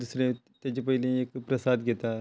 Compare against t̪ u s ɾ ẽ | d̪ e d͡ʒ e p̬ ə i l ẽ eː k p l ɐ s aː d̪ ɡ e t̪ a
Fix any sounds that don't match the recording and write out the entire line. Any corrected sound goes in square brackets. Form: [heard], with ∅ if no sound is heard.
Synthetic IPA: [d̪] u s ɾ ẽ | [t̪] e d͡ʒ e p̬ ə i l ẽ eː k p [ɾ] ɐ s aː d̪ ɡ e t̪ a